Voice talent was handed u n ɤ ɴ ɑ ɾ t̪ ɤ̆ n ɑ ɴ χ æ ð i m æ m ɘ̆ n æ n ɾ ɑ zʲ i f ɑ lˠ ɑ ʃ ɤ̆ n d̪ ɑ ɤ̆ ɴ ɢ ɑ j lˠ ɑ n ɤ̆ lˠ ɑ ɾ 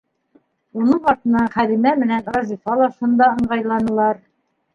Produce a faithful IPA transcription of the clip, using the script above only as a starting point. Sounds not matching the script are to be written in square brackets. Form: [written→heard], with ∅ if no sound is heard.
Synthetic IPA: u n ɤ ɴ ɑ ɾ t̪ ɤ̆ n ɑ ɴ χ æ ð i m æ m ɘ̆ n æ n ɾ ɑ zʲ i f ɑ lˠ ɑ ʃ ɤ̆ n d̪ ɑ ɤ̆ ɴ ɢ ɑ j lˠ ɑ n ɤ̆ lˠ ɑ ɾ